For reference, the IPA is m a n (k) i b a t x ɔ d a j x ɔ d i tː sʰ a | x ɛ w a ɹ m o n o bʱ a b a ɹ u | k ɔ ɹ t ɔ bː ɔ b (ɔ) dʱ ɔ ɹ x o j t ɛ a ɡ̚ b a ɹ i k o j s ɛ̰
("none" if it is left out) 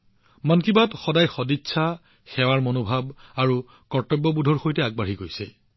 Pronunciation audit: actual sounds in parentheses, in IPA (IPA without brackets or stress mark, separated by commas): k, u